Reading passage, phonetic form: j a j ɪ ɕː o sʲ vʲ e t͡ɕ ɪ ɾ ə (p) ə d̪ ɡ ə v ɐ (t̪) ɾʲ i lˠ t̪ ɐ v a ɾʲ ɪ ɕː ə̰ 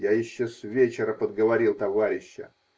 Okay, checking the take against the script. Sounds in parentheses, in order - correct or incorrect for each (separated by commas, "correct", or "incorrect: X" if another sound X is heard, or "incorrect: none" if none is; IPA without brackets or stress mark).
correct, incorrect: none